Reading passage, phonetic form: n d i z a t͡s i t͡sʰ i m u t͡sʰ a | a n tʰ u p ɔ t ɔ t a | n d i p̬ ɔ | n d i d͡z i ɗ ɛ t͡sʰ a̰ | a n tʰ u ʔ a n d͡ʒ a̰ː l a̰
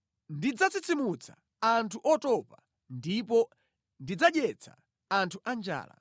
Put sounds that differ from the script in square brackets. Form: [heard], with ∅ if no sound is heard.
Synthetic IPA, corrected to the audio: n d i [d͡z] a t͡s i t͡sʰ i m u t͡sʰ a | a n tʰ u [ʔ] ɔ t ɔ [p] a | n d i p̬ ɔ | n d i d͡z [a] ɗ ɛ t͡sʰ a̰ | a n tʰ u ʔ a n d͡ʒ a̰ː l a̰

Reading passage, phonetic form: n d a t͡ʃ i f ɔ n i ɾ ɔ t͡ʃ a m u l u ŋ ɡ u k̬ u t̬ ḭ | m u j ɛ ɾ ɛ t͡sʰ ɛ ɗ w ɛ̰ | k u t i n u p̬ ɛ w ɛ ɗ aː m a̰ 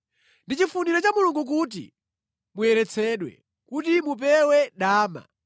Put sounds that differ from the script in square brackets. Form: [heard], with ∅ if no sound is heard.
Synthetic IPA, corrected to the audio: n d [i] t͡ʃ i f [u] n i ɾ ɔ t͡ʃ a m u l u ŋ ɡ u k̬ u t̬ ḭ | m u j ɛ ɾ ɛ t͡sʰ ɛ ɗ w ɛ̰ | k u t i [m] u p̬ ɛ w ɛ ɗ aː m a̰

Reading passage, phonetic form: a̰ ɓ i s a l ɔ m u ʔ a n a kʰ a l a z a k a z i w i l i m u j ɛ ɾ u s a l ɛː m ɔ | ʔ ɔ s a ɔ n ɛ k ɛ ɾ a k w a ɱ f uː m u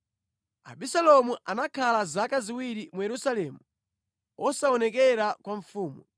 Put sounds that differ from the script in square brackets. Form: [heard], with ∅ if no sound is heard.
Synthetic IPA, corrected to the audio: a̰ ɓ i s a l ɔ m u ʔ a n a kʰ a l a z a k a z i w i [ɾ] i m u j ɛ ɾ u s a l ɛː m [u] | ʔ ɔ s a ɔ n ɛ k ɛ ɾ a k w a ɱ f uː m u

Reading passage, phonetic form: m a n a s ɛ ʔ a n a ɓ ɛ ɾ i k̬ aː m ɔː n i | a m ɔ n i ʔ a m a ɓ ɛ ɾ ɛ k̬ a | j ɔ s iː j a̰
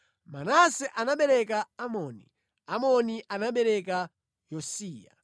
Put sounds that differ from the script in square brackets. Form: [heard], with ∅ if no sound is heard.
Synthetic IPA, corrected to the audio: m a n a s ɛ ʔ a n a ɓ ɛ ɾ [ɛ] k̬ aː m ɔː n i | a m ɔ n i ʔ a [n] a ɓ ɛ ɾ ɛ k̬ a | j ɔ s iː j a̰

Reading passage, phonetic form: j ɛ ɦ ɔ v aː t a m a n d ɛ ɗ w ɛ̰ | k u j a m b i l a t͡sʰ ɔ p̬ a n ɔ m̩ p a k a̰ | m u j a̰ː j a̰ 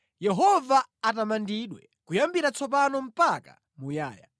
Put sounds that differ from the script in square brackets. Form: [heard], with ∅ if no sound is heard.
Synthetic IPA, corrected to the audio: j ɛ ɦ ɔ v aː t a m a n d [i] ɗ w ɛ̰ | k u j a m b i [ɾ] a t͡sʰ ɔ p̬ a n ɔ m̩ p a k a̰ | m u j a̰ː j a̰

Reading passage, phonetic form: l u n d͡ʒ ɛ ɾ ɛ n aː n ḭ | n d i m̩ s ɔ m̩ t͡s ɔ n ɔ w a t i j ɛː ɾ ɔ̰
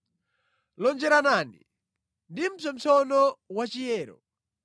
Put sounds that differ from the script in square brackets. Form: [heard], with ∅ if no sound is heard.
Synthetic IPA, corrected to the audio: l [ɔ] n d͡ʒ ɛ ɾ [a] n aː n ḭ | n d i m̩ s ɔ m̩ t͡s ɔ n ɔ w a [t͡ʃ] i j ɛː ɾ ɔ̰

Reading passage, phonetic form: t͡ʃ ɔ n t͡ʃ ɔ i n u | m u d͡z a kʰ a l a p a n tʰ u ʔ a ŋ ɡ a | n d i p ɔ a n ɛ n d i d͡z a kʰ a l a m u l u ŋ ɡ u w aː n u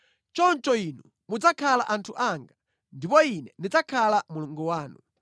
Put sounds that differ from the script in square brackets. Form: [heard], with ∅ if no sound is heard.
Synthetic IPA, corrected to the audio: t͡ʃ ɔ n t͡ʃ ɔ i n u | m u d͡z a kʰ a l a [ʔ] a n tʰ u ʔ a ŋ ɡ a | n d i p ɔ [i] n ɛ n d i d͡z a kʰ a l a m u l u ŋ ɡ u w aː n u

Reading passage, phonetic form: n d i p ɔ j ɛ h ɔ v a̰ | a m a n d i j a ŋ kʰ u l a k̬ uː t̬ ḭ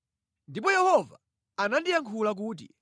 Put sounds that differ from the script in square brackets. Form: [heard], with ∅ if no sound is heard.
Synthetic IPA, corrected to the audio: n d i p ɔ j ɛ h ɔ v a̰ | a [n] a n d i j a ŋ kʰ u l a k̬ uː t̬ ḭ

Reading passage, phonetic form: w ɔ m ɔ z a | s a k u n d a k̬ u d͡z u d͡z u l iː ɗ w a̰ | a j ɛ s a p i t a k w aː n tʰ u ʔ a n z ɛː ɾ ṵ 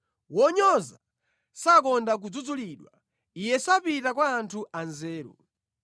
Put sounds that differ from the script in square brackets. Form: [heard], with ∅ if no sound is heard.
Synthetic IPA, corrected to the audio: w ɔ [ɲ] ɔ z a | s a k [ɔ] n d a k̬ u d͡z u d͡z u l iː ɗ w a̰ | [i] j ɛ s a p i t a k w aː n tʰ u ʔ a n z ɛː ɾ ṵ

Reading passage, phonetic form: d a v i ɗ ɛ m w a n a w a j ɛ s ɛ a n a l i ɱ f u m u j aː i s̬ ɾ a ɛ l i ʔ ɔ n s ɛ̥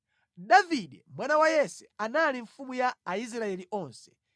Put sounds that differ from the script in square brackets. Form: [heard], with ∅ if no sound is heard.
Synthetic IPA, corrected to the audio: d a v i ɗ ɛ m w a n a w a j ɛ s ɛ a n a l i ɱ f u m u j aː i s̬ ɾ a ɛ l i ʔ ɔ n s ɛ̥

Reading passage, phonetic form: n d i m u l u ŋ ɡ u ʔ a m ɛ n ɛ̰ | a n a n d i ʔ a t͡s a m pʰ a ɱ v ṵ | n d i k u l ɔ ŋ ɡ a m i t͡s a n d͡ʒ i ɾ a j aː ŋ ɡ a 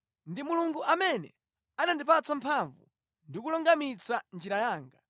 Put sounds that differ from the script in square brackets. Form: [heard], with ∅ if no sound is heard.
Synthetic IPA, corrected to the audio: n d i m u l u ŋ ɡ u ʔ a m ɛ n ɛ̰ | a n a n d i [p] a t͡s a m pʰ a ɱ v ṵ | n d i k u l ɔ ŋ ɡ a m i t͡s a n d͡ʒ i ɾ a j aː ŋ ɡ a

